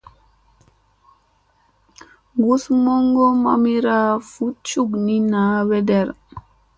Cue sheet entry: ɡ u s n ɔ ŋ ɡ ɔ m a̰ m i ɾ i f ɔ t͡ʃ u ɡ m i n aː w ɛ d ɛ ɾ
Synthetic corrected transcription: ɡ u s m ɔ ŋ ɡ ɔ m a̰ m i ɾ a f u t͡ʃ u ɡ n i n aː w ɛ d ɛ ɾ